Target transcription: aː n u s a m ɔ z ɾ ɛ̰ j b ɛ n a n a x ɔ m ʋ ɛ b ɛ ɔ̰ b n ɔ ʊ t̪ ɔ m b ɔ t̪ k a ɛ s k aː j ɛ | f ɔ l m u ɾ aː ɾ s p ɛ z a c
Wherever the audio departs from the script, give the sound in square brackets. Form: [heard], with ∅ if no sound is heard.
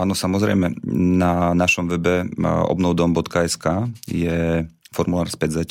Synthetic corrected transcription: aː n [ɔ] s a m ɔ z ɾ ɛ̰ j [m] ɛ n a n a [ʃ] ɔ m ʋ ɛ b ɛ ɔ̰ b n ɔ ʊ [d̪] ɔ m b ɔ t̪ k a ɛ s k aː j ɛ | f ɔ [ɾ] m u [l] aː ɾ s p ɛ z a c